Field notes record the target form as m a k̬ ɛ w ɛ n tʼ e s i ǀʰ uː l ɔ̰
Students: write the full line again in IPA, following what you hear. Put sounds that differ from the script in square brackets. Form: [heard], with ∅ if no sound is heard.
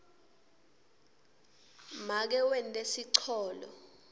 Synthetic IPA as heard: m a k̬ ɛ w ɛ n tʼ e s i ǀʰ [ɔː] l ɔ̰